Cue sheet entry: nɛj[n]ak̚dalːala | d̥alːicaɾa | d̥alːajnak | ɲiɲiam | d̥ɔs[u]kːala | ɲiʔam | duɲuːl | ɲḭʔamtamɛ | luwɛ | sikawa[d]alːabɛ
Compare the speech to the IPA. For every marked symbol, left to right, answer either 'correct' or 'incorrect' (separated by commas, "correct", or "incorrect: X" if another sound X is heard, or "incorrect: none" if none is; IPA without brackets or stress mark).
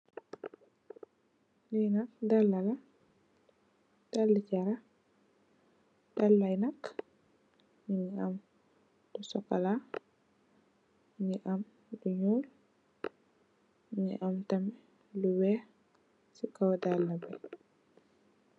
correct, incorrect: ɔ, correct